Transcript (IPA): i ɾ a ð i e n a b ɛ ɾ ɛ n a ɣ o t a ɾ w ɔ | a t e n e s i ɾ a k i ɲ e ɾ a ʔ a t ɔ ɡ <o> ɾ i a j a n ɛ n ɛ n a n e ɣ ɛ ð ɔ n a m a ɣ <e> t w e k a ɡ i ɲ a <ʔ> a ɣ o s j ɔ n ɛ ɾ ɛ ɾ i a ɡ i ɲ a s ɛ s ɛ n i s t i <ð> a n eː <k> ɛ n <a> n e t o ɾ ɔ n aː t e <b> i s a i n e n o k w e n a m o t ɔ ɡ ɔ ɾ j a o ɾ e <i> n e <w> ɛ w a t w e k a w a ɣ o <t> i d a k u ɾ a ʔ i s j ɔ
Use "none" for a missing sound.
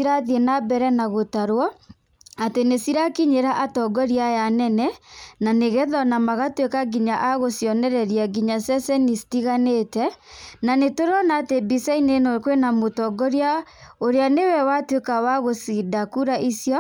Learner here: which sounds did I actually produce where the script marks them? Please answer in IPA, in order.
ɔ, a, ʔ, ɣ, t, a, b, a, w, s

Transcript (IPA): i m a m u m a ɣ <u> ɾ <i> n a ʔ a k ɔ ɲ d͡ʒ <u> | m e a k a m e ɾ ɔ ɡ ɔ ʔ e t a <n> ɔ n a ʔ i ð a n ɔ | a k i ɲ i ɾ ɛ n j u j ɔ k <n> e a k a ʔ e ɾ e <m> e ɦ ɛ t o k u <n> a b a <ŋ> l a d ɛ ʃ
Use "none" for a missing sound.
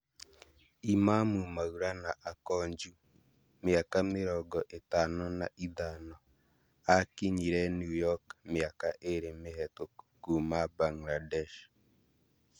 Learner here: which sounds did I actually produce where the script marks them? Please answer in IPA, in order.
u, a, u, n, m, m, m, ŋ

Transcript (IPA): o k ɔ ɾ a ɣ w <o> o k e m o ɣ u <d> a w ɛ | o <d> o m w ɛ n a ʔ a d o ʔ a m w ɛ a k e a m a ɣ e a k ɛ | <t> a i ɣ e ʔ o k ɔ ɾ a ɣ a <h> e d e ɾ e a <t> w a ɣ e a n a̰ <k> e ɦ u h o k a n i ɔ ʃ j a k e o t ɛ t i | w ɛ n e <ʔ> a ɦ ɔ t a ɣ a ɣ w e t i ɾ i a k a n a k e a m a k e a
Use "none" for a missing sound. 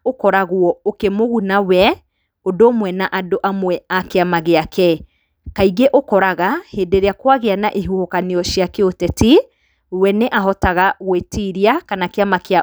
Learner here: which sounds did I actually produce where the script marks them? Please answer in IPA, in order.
ɔ, n, d, k, h, k, ʔ, ʔ

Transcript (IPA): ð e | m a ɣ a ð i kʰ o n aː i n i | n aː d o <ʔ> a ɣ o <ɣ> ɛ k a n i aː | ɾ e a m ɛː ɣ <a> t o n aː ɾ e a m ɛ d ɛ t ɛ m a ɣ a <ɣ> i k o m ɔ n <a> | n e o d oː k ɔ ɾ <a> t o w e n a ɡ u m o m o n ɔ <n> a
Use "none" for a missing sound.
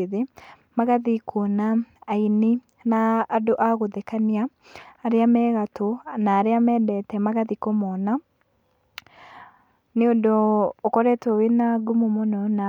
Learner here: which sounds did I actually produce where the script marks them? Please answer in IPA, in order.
ʔ, ð, a, ð, a, ɛ, n

